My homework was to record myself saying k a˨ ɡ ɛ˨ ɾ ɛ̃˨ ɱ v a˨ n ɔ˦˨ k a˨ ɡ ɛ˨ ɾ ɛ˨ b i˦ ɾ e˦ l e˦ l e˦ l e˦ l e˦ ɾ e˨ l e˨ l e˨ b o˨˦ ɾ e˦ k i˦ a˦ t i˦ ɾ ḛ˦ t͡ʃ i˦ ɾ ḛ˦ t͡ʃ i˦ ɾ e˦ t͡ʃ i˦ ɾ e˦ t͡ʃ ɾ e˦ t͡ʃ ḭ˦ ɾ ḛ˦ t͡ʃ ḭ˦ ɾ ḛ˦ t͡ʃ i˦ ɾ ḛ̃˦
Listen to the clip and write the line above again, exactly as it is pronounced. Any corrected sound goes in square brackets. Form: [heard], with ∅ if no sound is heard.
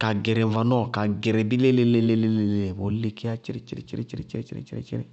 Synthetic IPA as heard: k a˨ ɡ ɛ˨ ɾ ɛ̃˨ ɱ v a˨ n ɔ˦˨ k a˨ ɡ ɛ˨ ɾ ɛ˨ b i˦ [l] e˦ l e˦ l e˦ l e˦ l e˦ [l] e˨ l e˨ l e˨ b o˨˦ [l] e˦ k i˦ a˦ [t͡ʃ] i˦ ɾ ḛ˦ t͡ʃ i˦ ɾ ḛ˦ t͡ʃ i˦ ɾ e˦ t͡ʃ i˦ ɾ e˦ t͡ʃ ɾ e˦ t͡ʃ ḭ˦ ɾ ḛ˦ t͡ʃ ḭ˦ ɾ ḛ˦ t͡ʃ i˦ ɾ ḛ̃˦

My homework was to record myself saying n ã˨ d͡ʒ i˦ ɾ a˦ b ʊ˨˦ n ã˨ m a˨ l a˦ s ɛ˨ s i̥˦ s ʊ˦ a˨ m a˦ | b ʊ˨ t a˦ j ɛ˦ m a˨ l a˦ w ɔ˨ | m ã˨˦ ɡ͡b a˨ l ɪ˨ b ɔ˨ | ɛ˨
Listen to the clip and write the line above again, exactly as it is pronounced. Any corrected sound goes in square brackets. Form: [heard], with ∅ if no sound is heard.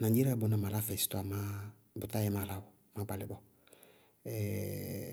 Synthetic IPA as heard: n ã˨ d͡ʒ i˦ ɾ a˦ b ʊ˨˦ n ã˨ m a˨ l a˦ [f] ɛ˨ s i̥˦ [t] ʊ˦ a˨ m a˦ | b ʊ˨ t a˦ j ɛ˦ m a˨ l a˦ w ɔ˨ | m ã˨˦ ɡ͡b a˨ l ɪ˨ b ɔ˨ | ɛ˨

